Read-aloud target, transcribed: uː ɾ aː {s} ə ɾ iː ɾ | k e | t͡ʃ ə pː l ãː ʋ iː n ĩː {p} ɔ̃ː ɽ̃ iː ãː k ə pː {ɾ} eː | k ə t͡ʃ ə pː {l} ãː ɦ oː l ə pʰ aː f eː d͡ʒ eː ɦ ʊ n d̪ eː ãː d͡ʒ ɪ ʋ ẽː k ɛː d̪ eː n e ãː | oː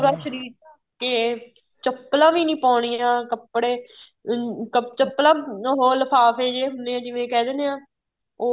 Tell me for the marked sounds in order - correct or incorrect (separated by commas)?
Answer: incorrect, correct, incorrect, correct